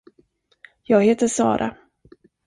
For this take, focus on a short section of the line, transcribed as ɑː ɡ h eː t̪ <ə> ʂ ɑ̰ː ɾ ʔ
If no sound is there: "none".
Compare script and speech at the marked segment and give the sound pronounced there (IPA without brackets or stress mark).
ə